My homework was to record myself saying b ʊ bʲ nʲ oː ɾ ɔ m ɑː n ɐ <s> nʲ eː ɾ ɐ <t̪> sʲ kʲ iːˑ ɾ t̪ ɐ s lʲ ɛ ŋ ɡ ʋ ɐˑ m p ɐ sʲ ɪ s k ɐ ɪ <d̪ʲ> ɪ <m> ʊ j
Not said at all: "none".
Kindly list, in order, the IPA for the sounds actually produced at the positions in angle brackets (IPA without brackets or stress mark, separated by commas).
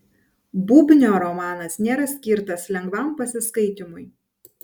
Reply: s, none, t̪ʲ, m